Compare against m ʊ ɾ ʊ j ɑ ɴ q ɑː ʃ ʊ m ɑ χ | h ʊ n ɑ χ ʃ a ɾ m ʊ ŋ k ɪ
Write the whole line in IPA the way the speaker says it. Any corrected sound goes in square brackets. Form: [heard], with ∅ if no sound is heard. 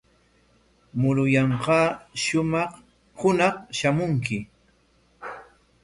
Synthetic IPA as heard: m ʊ ɾ ʊ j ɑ ɴ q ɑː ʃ ʊ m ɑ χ | h ʊ n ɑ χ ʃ a [∅] m ʊ ŋ k ɪ